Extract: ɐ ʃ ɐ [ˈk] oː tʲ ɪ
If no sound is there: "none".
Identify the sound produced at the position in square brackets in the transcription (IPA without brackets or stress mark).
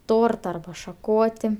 k